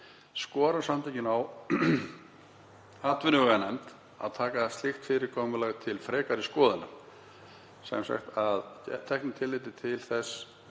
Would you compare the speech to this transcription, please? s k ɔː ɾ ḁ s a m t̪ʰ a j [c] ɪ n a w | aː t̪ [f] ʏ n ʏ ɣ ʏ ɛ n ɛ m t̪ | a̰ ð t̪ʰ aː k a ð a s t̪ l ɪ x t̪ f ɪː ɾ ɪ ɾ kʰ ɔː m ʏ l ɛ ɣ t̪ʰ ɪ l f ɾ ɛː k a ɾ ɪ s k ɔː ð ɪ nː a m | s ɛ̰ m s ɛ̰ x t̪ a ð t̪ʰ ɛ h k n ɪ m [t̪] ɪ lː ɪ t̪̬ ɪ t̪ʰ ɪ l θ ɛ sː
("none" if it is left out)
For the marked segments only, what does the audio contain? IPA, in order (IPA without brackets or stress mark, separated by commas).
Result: c, v, t̪ʰ